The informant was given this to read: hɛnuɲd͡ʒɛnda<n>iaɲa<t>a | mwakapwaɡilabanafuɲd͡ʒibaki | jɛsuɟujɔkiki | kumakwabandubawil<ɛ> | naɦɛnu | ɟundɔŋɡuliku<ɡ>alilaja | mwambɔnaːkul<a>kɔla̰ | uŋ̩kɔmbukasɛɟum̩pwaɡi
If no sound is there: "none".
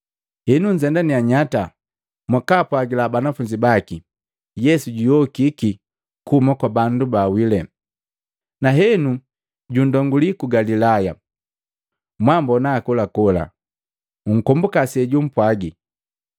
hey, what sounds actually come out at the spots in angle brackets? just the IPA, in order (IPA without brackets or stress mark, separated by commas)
n, t, ɛ, ɡ, a